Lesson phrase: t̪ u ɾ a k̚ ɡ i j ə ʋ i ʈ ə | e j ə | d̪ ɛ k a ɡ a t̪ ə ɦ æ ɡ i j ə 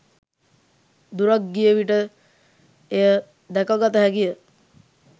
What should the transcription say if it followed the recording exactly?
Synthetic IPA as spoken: d̪ u ɾ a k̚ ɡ i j ə ʋ i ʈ ə | e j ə | d̪ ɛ k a ɡ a t̪ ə ɦ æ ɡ i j ə